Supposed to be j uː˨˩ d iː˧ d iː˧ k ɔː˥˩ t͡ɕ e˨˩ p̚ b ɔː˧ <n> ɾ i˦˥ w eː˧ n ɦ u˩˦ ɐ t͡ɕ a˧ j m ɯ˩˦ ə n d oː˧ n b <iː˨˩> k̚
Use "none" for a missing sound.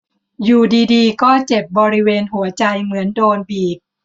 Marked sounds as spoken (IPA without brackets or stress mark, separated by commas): none, iː˨˩